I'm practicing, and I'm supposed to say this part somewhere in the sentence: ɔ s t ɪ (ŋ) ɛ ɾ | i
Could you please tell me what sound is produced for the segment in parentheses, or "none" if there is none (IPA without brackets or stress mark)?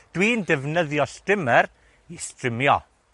m